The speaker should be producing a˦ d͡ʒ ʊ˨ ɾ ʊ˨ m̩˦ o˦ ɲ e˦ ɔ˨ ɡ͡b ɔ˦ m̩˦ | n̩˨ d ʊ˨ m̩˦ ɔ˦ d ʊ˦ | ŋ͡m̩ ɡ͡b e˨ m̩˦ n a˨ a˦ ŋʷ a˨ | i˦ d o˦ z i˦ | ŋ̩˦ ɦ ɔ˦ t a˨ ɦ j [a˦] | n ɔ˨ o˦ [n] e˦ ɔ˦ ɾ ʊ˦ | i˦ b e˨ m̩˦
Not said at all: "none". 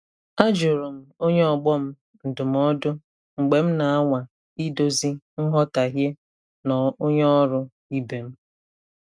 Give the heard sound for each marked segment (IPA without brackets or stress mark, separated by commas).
e˦, ɲ